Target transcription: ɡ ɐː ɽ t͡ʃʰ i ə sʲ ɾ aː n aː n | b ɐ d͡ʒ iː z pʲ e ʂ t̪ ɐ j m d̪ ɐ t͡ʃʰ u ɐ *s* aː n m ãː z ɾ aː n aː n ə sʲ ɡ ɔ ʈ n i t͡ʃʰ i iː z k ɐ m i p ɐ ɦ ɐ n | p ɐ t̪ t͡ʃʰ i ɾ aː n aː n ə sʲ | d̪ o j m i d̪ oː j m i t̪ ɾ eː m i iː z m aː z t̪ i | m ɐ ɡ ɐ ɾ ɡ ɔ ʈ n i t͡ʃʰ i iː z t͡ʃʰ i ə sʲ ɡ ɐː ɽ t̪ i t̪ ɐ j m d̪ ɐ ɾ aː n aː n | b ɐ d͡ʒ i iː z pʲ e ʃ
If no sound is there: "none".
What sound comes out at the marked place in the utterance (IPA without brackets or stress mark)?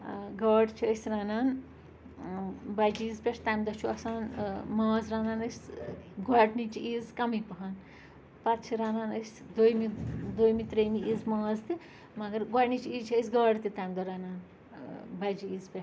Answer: s